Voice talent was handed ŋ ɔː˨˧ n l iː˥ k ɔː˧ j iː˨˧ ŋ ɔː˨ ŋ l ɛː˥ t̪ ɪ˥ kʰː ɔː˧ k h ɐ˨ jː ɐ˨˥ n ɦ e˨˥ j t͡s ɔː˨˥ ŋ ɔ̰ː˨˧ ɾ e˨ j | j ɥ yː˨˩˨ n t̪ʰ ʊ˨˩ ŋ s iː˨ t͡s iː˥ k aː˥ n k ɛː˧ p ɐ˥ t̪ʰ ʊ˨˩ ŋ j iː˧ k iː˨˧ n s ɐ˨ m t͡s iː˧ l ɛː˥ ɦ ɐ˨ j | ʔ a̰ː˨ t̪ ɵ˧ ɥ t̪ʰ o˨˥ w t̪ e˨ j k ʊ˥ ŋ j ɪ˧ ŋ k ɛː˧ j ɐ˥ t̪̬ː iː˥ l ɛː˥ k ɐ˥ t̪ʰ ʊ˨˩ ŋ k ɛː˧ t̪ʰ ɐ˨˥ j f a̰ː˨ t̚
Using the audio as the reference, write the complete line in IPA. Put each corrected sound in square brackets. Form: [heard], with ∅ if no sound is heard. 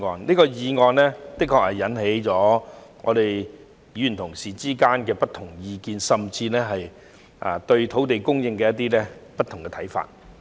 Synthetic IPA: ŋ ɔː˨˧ n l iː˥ k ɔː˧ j iː˨˧ ŋ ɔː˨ [n] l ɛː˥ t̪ ɪ˥ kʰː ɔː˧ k h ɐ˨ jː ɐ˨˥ n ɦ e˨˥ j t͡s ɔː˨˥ ŋ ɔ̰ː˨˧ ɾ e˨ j | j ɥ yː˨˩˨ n t̪ʰ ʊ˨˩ ŋ s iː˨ t͡s iː˥ k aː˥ n k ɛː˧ p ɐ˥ t̪ʰ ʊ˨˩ ŋ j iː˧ k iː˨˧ n s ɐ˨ m t͡s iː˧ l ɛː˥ ɦ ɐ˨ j | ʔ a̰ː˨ t̪ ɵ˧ ɥ t̪ʰ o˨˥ w t̪ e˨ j k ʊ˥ ŋ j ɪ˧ ŋ k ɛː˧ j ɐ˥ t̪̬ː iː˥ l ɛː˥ [p] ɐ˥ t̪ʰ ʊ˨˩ ŋ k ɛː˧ t̪ʰ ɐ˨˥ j f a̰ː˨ t̚